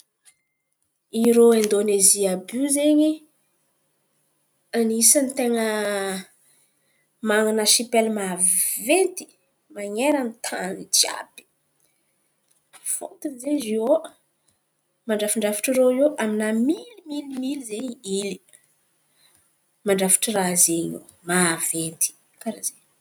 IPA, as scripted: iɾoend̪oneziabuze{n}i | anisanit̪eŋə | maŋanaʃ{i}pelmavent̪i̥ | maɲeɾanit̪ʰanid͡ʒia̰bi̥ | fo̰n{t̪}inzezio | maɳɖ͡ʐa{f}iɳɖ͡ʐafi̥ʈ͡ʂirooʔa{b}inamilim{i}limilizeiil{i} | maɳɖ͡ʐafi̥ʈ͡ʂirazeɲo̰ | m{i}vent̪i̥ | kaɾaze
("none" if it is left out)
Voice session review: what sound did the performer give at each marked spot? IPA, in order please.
ɲ, i, t̪, f, m, i, i, a

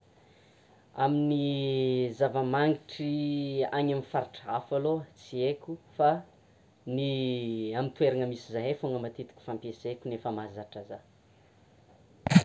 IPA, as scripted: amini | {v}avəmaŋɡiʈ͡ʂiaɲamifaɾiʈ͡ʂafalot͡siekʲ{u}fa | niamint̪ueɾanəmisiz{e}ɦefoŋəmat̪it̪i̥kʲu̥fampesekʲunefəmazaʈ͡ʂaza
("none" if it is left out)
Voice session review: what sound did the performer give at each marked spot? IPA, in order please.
z, u, a

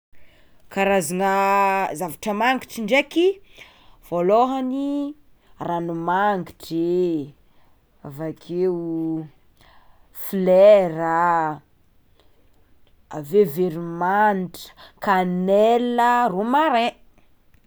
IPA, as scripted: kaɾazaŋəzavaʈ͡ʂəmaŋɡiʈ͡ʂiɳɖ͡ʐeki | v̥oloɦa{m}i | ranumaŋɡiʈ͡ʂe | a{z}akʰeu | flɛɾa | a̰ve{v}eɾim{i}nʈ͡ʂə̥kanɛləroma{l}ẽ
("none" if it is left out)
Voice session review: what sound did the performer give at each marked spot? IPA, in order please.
n, v, v, a, ɾ

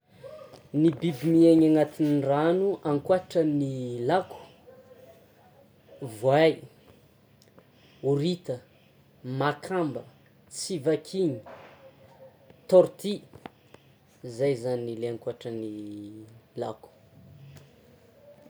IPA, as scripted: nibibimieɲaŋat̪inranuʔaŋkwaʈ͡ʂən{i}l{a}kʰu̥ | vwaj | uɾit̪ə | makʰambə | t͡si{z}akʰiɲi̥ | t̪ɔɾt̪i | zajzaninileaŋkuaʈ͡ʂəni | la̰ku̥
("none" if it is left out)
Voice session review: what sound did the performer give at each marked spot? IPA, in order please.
i, a, v

